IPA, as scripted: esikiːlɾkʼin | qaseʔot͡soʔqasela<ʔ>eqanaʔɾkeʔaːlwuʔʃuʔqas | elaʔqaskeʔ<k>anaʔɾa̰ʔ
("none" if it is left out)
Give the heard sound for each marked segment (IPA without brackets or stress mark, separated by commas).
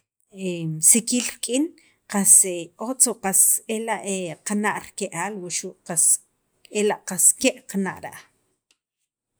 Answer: ʔ, q